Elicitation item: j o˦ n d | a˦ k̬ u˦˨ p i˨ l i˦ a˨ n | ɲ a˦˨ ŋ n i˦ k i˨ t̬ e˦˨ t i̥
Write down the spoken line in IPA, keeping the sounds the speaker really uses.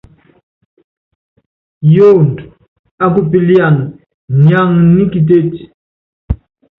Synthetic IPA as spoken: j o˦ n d | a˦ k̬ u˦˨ p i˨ l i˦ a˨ n | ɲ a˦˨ ŋ n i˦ k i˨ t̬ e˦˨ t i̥